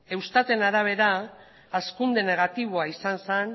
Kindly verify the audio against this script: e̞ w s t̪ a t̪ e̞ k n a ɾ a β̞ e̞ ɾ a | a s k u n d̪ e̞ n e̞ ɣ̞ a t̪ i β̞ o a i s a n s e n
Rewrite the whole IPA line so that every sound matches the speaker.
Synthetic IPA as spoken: e̞ w s t̪ a t̪ e̞ n a ɾ a β̞ e̞ ɾ a | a s k u n d̪ e̞ n e̞ ɣ̞ a t̪ i β̞ o a i s a n s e n